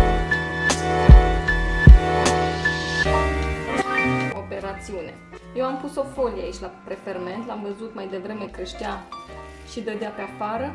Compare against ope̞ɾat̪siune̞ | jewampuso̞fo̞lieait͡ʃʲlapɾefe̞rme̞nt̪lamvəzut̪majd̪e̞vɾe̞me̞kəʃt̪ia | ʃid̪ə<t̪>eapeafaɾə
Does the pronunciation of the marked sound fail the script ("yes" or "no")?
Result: yes